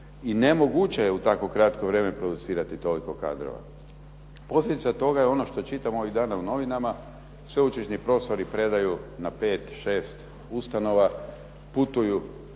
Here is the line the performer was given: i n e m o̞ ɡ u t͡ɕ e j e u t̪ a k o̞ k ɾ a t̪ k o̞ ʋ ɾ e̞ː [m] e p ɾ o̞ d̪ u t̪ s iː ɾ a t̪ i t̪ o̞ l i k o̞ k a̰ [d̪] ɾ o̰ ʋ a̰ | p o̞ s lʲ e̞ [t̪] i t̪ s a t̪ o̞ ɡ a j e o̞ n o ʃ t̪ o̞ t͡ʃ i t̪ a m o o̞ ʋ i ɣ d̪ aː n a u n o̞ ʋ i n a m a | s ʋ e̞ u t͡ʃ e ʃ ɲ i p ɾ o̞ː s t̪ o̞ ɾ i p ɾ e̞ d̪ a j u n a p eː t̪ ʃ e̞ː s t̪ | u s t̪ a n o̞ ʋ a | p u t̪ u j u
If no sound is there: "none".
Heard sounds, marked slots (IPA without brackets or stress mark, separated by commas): m, d̪, d̪